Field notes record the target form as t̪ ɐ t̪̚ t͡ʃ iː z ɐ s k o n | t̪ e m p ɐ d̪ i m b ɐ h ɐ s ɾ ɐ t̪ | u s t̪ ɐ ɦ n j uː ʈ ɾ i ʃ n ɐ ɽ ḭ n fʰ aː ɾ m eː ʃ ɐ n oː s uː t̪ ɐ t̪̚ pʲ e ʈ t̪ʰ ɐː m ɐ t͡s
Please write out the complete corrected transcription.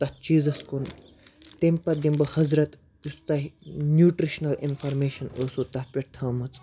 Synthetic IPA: t̪ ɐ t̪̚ t͡ʃ iː z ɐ s k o n | t̪ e m p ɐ d̪ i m b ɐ h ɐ z ɾ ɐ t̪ | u s t̪ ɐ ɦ n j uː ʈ ɾ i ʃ n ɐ l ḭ n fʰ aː ɾ m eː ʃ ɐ n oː s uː t̪ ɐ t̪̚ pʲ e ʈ t̪ʰ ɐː m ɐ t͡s